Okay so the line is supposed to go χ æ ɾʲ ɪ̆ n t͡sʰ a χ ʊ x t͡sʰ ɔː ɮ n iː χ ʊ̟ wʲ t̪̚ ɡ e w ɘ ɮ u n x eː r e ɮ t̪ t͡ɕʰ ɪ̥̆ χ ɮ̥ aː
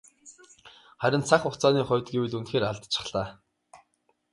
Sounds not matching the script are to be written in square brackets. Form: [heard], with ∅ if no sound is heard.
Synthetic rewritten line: χ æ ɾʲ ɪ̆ n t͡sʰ a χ ʊ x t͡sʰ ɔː [∅] n iː χ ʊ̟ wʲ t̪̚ ɡ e w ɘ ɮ u n x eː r [a] ɮ t̪ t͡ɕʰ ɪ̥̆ χ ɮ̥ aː